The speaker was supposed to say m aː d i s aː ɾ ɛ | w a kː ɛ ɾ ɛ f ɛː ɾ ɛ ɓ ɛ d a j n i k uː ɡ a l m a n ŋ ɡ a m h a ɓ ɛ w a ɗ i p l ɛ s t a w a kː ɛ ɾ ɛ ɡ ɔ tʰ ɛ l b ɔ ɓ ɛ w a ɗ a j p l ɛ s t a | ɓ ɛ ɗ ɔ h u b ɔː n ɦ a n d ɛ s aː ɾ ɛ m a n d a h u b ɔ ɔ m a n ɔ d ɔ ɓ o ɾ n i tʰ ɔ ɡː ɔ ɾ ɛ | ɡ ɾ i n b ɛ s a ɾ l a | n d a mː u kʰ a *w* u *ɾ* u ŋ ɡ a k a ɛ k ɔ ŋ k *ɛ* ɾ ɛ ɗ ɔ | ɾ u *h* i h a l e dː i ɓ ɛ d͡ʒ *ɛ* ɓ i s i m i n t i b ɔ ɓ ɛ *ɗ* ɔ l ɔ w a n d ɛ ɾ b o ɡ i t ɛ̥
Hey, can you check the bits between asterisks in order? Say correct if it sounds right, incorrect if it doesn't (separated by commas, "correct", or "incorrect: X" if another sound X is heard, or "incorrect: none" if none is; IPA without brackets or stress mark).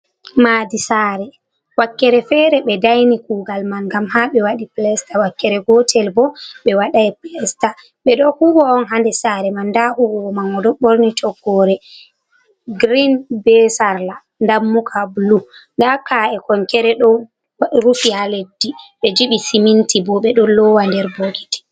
incorrect: b, incorrect: l, correct, incorrect: f, incorrect: i, correct